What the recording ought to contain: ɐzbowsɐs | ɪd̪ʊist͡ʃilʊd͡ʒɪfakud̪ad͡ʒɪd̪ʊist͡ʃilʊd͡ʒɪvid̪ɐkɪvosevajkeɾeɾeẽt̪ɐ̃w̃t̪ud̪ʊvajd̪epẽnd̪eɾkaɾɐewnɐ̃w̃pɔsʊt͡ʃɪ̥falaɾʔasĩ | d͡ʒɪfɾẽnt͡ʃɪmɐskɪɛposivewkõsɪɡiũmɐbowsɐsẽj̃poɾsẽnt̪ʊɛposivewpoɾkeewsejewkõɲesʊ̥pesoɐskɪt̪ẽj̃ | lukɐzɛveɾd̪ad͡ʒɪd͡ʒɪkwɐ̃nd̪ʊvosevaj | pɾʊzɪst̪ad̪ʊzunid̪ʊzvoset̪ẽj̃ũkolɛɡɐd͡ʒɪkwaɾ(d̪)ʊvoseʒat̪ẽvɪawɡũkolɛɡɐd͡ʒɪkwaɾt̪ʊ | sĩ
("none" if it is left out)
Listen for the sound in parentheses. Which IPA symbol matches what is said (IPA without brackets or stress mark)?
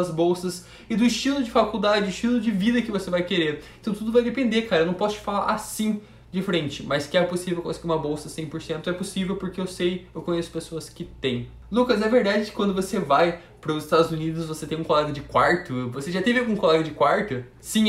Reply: t̪